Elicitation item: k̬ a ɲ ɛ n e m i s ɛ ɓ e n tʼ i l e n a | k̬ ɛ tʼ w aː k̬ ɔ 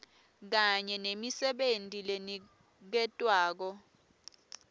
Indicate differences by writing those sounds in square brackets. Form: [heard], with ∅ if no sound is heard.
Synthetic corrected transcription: k̬ a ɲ ɛ n e m i s ɛ ɓ e n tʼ i l e n [i] | k̬ ɛ tʼ w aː k̬ ɔ